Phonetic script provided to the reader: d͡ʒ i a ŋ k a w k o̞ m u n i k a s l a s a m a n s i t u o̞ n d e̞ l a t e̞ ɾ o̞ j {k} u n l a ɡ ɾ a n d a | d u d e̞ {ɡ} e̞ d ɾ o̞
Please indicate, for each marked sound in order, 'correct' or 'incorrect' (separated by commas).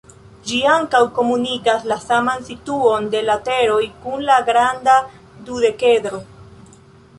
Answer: correct, incorrect